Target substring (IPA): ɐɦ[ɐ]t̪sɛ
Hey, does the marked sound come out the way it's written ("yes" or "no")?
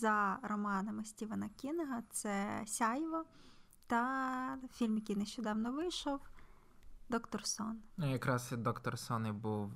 yes